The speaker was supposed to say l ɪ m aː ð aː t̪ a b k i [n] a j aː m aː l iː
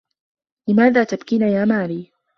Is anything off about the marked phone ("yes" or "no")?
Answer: no